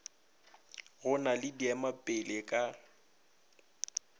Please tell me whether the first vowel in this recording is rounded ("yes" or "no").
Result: yes